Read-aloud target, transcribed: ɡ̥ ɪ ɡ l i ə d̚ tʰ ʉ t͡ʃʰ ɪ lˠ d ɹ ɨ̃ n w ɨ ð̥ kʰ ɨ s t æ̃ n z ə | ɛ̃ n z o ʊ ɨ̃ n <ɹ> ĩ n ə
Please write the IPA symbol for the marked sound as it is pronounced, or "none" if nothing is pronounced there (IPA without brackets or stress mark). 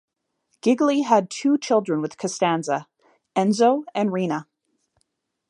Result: ɹ